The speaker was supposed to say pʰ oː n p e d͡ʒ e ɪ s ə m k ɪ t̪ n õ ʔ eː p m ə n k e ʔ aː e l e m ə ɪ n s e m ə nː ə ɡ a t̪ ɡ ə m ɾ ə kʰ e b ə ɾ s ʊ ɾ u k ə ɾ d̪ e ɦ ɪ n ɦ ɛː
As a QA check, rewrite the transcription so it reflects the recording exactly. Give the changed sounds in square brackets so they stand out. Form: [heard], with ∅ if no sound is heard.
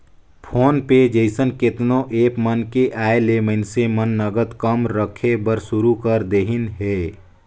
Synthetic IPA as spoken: pʰ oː n p e d͡ʒ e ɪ s ə [n] k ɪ t̪ n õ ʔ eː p m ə n k e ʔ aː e l e m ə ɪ n s e m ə nː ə ɡ [ə] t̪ [k] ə m ɾ ə kʰ e b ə ɾ s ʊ ɾ u k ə ɾ d̪ e ɦ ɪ n ɦ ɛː